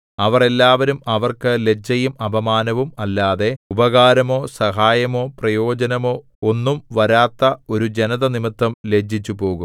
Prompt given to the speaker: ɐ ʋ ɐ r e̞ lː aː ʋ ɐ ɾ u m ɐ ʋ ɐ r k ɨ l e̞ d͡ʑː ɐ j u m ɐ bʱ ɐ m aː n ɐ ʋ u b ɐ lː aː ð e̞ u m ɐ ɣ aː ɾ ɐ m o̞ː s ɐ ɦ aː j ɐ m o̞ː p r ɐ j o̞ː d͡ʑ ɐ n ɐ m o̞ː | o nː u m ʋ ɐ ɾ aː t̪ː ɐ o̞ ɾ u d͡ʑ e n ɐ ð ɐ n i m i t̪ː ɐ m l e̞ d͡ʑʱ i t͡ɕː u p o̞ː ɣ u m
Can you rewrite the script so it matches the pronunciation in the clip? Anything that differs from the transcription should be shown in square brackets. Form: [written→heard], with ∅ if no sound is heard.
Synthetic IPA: ɐ ʋ ɐ r e̞ lː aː ʋ ɐ ɾ u m ɐ ʋ ɐ r k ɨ l e̞ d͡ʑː ɐ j u m ɐ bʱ ɐ m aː n ɐ ʋ u [b→m] ɐ lː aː ð e̞ u [m→b] ɐ ɣ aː ɾ ɐ m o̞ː s ɐ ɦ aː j ɐ m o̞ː p r ɐ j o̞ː d͡ʑ ɐ n ɐ m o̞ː | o nː u m ʋ ɐ ɾ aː t̪ː ɐ o̞ ɾ u d͡ʑ e n ɐ ð ɐ n i m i t̪ː ɐ m l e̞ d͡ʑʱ i t͡ɕː u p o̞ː ɣ u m